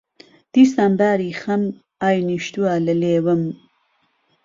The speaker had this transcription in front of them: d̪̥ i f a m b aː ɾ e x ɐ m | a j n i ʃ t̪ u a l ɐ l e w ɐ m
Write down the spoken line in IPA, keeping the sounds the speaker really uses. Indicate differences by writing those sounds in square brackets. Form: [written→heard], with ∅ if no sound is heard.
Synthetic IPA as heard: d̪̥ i [f→s] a m b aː ɾ [e→i] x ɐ m | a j n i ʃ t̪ u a l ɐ l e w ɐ m